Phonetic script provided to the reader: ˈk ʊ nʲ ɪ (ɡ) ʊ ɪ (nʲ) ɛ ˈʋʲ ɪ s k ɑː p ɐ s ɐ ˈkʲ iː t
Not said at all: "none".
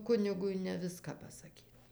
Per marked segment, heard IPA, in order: ɡ, nʲ

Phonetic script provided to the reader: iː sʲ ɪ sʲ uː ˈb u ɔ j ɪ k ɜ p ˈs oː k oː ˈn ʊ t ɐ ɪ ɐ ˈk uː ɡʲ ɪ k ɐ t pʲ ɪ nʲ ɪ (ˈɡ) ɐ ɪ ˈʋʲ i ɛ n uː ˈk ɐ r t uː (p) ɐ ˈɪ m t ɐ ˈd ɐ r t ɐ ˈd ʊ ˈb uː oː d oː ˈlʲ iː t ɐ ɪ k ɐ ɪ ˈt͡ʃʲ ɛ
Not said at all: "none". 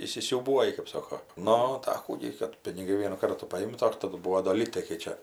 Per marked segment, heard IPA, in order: ɡ, p

